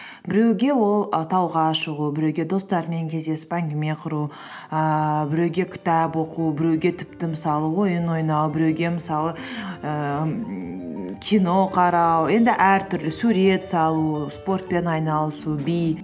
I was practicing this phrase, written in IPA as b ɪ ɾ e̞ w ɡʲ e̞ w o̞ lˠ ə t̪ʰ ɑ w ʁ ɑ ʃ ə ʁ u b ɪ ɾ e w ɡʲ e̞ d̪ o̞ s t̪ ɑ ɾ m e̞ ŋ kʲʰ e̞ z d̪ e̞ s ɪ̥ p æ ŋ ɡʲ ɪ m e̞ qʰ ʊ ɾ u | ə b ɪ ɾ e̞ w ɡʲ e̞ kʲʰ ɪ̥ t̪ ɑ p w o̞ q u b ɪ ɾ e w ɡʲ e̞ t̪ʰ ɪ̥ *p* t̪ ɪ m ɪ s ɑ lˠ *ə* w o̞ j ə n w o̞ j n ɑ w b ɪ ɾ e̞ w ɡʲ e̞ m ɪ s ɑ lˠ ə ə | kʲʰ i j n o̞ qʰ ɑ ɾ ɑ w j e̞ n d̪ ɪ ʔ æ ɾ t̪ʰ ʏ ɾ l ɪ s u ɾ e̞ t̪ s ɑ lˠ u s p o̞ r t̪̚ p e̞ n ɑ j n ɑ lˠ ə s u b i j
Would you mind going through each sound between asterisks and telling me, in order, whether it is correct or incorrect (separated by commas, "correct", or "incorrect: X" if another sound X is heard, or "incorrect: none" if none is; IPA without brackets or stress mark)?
correct, correct